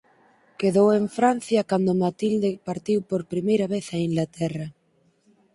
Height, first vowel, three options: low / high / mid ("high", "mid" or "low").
mid